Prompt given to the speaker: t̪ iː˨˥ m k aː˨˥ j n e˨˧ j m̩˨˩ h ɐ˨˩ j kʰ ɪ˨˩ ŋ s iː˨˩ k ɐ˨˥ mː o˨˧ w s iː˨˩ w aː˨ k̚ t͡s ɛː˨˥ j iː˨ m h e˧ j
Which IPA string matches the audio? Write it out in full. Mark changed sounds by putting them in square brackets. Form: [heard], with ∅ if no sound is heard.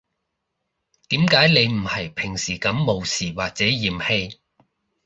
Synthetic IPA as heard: t̪ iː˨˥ m k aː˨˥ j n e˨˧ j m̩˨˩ h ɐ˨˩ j [pʰ] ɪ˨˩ ŋ s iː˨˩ k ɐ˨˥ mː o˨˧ w s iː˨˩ w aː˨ k̚ t͡s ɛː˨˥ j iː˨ m h e˧ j